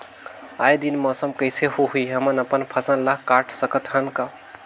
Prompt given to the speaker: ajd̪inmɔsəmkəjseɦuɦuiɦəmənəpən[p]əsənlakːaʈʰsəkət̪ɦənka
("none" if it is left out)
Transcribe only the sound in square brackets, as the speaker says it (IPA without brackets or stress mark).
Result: pʰ